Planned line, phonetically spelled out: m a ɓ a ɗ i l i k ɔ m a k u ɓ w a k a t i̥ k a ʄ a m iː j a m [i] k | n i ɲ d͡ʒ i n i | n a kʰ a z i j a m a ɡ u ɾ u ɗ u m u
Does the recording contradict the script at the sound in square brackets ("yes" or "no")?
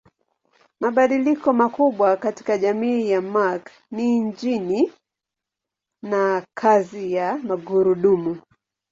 yes